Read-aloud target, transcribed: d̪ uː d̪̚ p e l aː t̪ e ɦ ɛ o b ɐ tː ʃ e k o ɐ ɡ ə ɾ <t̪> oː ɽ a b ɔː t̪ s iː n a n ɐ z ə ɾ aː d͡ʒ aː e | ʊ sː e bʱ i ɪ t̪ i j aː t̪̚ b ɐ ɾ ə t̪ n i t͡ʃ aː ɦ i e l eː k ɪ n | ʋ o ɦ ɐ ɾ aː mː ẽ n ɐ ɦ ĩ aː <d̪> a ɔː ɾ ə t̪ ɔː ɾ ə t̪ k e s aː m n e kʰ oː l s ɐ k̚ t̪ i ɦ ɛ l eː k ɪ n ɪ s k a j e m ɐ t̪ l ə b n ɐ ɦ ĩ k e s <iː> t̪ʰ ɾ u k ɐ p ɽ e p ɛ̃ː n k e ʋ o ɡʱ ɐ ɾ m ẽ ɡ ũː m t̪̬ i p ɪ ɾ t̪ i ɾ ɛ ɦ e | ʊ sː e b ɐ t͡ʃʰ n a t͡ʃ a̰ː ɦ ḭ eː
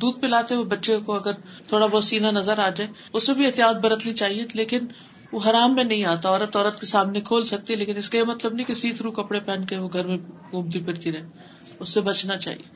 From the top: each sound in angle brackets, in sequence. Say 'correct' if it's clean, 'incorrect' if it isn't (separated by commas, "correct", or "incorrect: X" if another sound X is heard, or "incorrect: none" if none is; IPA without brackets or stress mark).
incorrect: t̪ʰ, incorrect: t̪, correct